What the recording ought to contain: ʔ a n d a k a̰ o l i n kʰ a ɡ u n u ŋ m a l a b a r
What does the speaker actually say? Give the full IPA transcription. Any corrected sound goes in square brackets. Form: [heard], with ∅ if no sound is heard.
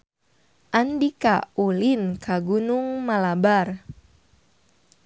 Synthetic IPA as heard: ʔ a n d [i] k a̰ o l i n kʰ a ɡ u n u ŋ m a l a b a r

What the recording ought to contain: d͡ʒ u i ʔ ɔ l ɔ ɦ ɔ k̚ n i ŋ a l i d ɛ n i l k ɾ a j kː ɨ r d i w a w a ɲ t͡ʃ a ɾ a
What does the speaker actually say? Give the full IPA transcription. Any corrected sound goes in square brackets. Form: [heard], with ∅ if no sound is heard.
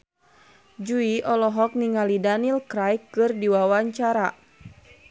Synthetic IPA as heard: d͡ʒ u i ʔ ɔ l ɔ ɦ ɔ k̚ n i ŋ a l i d [a] n i l k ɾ a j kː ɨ r d i w a w a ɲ t͡ʃ a ɾ a

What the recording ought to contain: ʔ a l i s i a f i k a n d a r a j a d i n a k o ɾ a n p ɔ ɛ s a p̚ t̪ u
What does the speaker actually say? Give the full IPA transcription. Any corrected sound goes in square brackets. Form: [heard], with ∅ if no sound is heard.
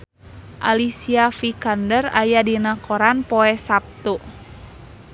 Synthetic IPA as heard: ʔ a l i s i a f i k a n d [ə] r a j a d i n a k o ɾ a n p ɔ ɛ s a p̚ t̪ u

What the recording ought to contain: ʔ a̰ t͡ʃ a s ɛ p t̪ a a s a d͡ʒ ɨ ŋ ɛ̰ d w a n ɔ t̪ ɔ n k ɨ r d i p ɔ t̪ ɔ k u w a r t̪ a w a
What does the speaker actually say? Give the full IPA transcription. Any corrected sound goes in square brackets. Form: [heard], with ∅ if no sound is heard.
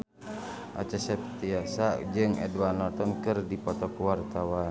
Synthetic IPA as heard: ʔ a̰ t͡ʃ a s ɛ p t̪ [i] a s a d͡ʒ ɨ ŋ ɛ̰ d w a n ɔ t̪ ɔ n k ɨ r d i p ɔ t̪ ɔ k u w a r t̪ a w a

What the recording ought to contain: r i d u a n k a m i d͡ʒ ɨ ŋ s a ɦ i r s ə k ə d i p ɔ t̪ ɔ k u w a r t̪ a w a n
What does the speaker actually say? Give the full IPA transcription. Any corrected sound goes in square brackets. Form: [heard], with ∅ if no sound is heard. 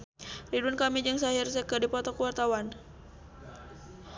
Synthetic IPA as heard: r i d u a n k a m i d͡ʒ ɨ ŋ s a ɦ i r s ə k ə d i p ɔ t̪ ɔ k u w a r t̪ a w a n

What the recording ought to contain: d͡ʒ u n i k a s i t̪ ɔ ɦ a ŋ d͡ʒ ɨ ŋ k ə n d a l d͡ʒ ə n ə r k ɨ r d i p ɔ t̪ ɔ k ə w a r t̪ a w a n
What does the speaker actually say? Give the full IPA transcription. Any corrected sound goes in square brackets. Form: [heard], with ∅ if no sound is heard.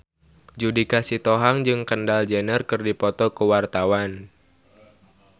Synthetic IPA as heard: d͡ʒ u [d] i k a s i t̪ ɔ ɦ a ŋ d͡ʒ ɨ ŋ k ə n d a l d͡ʒ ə n ə r k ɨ r d i p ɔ t̪ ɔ k ə w a r t̪ a w a n

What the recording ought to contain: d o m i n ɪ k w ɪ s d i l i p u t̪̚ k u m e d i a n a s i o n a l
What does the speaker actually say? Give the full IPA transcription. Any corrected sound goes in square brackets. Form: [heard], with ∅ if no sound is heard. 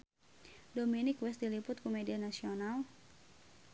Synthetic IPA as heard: d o m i n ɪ k w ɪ s d i l i p [ʊ] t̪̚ k u m e d i a n a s i o n a l

